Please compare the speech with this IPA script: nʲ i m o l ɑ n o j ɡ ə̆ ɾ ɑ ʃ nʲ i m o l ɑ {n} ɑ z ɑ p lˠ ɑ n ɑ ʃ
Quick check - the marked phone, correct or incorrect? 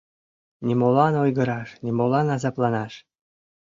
correct